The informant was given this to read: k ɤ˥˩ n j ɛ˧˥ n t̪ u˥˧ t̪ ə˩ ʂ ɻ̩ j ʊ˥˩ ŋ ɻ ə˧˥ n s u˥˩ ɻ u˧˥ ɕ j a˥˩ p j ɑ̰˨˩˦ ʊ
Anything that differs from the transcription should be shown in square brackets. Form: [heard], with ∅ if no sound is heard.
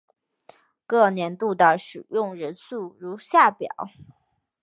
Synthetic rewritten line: k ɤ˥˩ n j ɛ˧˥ n t̪ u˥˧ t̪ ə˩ ʂ ɻ̩ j ʊ˥˩ ŋ ɻ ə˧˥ n s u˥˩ ɻ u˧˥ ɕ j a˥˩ p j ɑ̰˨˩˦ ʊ